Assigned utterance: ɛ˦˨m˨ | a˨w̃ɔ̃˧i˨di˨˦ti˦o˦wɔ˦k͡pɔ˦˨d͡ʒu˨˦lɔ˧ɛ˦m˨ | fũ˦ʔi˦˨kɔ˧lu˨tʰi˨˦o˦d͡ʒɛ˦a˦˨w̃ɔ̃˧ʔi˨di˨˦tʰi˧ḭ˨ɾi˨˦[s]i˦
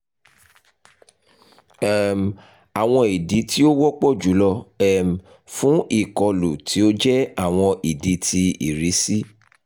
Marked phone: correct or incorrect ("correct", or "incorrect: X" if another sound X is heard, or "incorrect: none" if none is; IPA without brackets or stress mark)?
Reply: correct